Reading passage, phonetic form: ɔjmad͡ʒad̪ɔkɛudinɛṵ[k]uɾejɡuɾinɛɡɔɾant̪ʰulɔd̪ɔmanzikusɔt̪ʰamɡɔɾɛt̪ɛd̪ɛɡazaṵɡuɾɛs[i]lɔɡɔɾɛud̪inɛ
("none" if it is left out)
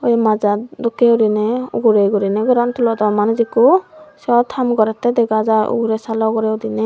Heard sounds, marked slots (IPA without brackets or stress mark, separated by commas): ɡ, a